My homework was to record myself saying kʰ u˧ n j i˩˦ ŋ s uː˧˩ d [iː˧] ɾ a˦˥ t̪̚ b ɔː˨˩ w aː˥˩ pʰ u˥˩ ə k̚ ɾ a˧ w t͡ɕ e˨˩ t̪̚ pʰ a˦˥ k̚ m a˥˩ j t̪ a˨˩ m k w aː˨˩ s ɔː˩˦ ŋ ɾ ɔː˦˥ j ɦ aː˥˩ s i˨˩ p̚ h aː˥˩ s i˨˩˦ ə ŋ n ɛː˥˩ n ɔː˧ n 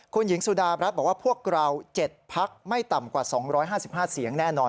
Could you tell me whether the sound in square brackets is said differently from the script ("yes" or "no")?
yes